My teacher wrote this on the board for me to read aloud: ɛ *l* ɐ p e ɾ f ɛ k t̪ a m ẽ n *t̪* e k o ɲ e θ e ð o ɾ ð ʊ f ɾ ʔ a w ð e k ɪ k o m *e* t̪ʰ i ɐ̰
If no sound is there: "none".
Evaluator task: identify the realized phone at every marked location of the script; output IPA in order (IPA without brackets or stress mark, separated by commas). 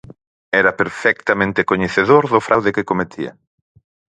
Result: ɾ, t̪, e